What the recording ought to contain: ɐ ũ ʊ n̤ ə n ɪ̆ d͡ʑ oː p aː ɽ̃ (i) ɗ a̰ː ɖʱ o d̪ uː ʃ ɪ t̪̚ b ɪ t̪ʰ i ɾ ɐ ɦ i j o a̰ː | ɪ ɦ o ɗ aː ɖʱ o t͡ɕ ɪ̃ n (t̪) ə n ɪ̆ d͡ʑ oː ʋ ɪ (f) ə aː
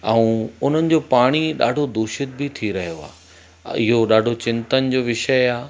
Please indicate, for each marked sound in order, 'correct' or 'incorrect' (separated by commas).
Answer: correct, correct, incorrect